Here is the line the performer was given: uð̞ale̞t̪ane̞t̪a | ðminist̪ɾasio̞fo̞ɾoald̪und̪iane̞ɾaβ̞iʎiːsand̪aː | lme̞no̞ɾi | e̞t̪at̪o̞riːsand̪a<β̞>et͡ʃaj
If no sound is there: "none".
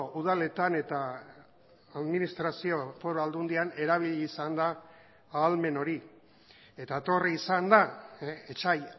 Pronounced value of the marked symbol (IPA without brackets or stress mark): none